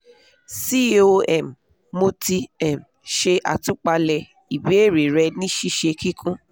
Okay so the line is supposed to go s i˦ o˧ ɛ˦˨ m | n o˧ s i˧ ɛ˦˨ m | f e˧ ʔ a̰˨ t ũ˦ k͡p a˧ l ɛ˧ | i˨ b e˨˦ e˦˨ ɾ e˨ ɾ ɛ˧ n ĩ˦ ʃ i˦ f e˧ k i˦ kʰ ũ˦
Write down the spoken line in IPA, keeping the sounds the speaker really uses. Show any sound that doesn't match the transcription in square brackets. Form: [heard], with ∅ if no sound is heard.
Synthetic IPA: s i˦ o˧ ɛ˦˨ m | [m] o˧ [t] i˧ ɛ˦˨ m | [ʃ] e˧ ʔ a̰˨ t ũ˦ k͡p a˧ l ɛ˧ | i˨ b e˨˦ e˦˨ ɾ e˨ ɾ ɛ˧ n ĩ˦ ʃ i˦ [ʃ] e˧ k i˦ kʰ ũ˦